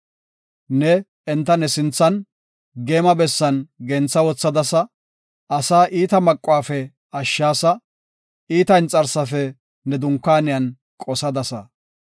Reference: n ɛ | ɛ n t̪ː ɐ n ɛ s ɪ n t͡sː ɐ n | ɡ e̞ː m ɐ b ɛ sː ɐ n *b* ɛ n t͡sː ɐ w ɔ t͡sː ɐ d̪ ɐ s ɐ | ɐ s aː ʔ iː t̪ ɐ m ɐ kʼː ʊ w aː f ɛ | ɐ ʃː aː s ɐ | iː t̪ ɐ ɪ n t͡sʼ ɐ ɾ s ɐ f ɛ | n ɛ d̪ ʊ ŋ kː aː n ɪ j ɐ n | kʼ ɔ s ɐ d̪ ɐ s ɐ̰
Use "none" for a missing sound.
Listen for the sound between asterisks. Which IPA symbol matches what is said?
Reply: ɡ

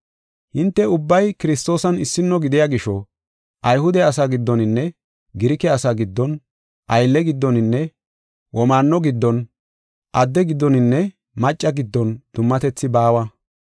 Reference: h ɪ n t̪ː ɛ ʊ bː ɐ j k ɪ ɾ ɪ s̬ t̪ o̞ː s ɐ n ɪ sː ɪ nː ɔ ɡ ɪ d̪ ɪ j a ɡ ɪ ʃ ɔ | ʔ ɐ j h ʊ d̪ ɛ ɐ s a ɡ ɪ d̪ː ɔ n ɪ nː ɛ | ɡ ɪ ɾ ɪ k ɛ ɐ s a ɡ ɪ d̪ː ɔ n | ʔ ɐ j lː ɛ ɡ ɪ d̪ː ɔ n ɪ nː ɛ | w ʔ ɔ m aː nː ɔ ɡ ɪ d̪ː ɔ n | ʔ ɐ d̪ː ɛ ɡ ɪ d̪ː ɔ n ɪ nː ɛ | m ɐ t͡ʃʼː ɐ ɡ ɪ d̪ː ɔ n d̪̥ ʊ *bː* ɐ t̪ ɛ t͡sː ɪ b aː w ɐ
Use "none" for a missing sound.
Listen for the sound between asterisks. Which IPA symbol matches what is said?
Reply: mː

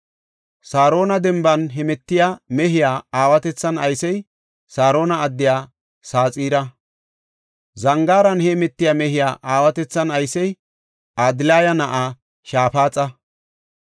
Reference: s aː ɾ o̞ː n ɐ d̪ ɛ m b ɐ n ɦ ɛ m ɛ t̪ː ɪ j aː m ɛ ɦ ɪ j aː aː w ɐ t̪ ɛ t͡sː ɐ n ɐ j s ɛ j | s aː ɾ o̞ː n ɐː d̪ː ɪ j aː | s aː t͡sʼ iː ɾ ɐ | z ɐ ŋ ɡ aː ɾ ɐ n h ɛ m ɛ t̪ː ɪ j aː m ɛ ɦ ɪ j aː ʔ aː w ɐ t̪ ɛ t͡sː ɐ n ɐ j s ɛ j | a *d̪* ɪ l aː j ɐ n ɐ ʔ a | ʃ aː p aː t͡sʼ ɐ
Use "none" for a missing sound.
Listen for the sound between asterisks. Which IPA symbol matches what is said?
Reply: d̪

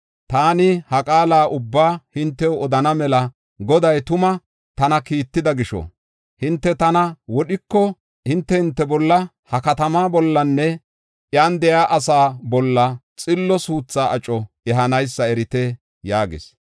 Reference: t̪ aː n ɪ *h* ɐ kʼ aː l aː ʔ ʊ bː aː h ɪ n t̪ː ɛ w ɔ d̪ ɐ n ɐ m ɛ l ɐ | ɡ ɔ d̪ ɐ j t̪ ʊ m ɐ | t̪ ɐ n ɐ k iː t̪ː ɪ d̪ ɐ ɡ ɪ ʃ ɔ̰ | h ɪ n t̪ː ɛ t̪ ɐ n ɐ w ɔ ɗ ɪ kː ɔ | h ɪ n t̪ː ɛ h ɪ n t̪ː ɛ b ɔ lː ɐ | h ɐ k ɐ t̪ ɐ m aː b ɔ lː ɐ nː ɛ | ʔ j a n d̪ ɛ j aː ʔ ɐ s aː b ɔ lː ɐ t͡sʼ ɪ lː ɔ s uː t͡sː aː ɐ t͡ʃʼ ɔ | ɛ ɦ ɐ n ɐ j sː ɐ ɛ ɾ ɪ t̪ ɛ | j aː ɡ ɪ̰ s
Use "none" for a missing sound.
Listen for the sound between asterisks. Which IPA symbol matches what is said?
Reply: h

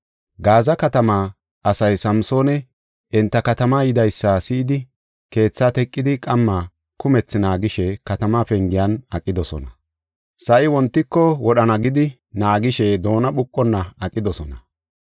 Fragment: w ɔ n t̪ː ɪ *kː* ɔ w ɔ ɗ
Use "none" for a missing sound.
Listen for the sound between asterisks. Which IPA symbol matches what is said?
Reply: kː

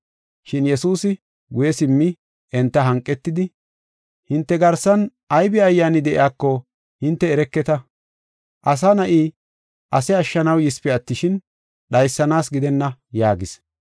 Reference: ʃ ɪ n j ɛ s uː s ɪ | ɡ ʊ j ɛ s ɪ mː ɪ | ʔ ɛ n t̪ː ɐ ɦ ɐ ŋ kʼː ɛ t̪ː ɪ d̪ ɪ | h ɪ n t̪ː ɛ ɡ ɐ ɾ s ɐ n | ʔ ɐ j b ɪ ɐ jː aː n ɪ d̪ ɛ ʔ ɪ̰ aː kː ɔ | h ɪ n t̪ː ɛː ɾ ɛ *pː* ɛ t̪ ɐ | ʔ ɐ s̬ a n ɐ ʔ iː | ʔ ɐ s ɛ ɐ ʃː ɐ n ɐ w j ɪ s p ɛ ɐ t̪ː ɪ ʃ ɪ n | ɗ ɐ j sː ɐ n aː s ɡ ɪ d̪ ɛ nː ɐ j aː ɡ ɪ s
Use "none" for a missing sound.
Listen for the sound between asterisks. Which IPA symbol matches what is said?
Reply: kː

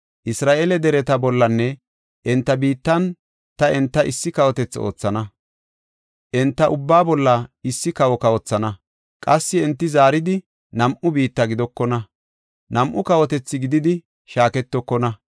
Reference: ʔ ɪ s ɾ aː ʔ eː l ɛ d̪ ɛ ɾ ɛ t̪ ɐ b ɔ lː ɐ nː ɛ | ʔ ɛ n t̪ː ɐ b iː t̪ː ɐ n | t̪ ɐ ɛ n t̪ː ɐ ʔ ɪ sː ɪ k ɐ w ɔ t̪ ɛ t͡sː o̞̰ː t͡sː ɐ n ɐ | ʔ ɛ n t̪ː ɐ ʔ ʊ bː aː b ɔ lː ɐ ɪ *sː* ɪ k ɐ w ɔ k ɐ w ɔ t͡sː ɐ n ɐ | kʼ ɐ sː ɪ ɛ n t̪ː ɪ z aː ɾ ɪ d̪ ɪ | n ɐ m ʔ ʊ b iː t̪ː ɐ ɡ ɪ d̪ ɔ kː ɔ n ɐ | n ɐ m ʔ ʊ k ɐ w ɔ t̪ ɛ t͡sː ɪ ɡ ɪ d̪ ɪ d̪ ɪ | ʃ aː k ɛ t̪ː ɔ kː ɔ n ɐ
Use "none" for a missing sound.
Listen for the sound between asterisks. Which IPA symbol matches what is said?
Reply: sː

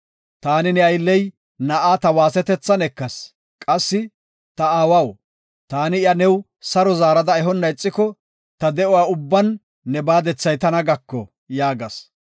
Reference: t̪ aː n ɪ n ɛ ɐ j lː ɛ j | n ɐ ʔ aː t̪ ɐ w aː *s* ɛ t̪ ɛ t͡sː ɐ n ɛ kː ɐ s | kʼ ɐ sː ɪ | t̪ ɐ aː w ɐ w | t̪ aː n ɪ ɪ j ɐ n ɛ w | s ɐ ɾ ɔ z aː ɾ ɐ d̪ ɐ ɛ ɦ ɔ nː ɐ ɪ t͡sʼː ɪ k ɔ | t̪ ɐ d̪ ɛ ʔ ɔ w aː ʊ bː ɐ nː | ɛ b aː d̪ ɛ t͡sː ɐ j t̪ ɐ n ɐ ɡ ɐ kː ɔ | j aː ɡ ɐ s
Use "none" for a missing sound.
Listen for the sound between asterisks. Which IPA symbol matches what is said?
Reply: s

